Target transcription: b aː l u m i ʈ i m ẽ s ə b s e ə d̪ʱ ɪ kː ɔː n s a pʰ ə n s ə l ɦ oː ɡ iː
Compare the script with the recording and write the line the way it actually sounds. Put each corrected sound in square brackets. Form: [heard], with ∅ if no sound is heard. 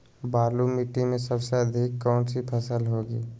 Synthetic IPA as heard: b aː l u m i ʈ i m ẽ s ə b s e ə d̪ʱ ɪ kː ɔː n s [i] pʰ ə [∅] s ə l ɦ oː ɡ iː